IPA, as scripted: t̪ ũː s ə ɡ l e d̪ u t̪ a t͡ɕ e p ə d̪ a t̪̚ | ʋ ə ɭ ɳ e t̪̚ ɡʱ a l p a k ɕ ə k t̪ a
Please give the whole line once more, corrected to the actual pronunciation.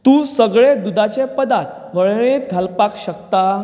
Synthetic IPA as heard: t̪ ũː s ə ɡ ɭ e d̪ u d̪ a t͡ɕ e p ə d̪ a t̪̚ | ʋ ə ɭ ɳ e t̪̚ ɡʱ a l p a k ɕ ə k t̪ a